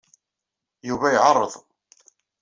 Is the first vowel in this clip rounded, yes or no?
yes